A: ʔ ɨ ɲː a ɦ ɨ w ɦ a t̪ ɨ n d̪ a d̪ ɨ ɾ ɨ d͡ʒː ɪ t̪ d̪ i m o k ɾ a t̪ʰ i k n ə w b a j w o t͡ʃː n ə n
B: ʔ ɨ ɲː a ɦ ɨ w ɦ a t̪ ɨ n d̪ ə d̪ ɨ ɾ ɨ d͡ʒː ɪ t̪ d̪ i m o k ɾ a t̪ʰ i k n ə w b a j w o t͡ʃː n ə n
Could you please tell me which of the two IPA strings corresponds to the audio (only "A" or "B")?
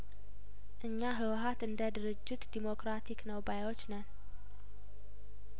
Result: B